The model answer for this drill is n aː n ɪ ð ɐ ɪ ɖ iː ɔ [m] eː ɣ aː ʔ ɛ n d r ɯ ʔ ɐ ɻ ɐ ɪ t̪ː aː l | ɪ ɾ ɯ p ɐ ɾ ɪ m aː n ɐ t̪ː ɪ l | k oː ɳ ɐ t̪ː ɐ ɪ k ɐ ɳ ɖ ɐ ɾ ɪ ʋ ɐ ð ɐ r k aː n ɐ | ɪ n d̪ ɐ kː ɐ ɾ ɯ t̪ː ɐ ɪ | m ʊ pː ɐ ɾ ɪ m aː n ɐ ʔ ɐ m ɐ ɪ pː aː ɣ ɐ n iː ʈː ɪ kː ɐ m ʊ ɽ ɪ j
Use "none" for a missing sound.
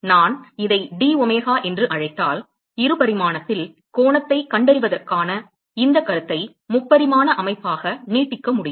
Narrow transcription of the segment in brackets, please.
m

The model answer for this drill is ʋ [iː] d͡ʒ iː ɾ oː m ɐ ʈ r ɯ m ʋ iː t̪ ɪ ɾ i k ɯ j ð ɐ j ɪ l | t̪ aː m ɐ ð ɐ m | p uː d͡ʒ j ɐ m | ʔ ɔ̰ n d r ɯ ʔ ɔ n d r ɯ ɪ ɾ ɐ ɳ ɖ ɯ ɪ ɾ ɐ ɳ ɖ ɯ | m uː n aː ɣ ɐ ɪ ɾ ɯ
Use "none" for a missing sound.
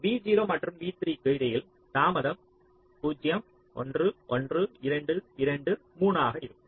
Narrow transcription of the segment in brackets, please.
iː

